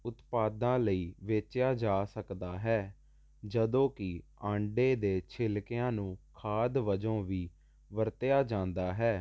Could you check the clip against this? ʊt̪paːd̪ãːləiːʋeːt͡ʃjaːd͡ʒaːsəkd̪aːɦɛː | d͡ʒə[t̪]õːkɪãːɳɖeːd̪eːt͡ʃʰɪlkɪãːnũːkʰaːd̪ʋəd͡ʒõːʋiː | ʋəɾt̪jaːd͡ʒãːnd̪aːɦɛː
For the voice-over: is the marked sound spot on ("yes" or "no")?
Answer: no